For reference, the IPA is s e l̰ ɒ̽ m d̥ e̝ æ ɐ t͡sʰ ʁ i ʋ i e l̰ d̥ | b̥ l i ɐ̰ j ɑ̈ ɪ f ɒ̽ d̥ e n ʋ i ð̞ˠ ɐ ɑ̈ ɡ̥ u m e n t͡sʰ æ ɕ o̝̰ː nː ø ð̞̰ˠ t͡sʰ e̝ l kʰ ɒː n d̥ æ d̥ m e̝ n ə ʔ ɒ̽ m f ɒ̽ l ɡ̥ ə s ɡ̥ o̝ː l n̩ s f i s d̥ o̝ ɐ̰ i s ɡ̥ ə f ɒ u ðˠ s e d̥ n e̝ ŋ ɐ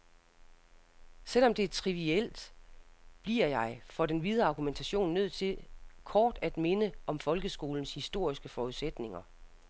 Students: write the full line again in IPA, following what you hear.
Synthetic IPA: s e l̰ ɒ̽ m d̥ e̝ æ ɐ t͡sʰ ʁ i ʋ i e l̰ d̥ | b̥ l i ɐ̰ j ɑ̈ ɪ f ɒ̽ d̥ e n ʋ i ð̞ˠ ɐ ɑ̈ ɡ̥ u m e n t͡sʰ æ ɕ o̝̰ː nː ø ð̞̰ˠ t͡sʰ e̝ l kʰ ɒː d̥ æ d̥ m e̝ n ə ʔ ɒ̽ m f ɒ̽ l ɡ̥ ə s ɡ̥ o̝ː l n̩ s h i s d̥ o̝ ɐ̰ i s ɡ̥ ə f ɒ u ðˠ s e d̥ n e̝ ŋ ɐ